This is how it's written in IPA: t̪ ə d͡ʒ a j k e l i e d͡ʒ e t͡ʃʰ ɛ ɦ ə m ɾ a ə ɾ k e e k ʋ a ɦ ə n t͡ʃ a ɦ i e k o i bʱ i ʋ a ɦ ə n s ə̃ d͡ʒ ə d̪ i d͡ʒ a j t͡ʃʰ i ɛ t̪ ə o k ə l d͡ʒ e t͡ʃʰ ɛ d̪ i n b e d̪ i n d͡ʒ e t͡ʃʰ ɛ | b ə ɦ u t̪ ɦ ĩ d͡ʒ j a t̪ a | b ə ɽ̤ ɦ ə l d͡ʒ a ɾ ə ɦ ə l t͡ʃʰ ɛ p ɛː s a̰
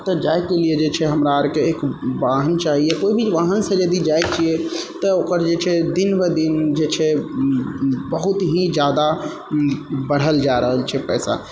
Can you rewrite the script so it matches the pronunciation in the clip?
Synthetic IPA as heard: t̪ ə d͡ʒ a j k e l i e d͡ʒ e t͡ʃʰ ɛ ɦ ə m ɾ a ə ɾ k e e k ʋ a ɦ ə n t͡ʃ a ɦ i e k o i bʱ i ʋ a ɦ ə n s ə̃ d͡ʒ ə d̪ i d͡ʒ a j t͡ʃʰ i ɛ t̪ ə o k ə ɾ d͡ʒ e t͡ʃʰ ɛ d̪ i n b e d̪ i n d͡ʒ e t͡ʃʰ ɛ | b ə ɦ u t̪ ɦ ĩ d͡ʒ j a d̪ a | b ə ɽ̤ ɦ ə l d͡ʒ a ɾ ə ɦ ə l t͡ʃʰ ɛ p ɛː s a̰